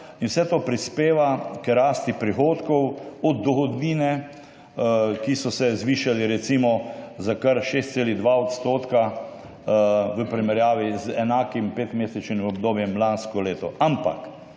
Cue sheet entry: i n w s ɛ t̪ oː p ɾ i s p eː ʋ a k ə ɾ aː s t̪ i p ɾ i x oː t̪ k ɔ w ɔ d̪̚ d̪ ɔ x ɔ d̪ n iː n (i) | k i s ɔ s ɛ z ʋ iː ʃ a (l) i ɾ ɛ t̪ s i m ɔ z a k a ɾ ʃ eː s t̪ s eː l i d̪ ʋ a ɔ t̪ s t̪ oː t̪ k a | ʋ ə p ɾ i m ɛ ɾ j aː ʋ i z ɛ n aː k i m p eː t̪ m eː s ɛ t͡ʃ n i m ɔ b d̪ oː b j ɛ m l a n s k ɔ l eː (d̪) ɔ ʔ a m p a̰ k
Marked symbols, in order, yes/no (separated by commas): no, yes, no